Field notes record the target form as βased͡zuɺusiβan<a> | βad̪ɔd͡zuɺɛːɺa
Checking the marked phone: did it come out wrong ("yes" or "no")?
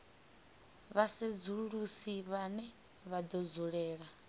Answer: yes